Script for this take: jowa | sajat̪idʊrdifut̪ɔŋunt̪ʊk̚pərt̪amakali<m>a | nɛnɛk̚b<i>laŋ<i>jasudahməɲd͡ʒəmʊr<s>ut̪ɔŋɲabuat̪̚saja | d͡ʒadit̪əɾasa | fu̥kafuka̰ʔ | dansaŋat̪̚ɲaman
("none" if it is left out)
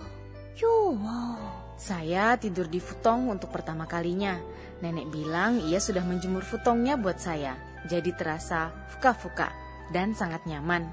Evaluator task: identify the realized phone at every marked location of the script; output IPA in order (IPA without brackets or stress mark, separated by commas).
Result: ɲ, i, i, f